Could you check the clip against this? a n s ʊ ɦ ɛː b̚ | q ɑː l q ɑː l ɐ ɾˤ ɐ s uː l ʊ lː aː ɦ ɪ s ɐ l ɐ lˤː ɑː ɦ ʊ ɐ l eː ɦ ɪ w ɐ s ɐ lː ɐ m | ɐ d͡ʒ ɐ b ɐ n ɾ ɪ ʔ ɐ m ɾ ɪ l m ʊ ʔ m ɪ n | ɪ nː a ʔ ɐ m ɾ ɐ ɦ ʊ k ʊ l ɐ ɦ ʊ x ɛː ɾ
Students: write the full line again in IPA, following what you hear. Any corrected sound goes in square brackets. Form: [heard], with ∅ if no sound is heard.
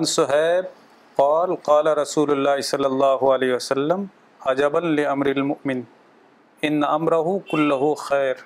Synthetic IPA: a n s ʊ ɦ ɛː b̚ | q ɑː l q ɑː l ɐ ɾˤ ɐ s uː l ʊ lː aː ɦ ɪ s ɐ [lː] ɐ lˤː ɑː ɦ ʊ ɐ l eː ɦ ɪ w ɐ s ɐ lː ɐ m | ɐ d͡ʒ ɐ b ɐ n [l] ɪ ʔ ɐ m ɾ ɪ l m ʊ ʔ m ɪ n | ɪ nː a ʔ ɐ m ɾ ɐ ɦ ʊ k ʊ [lː] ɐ ɦ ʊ x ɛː ɾ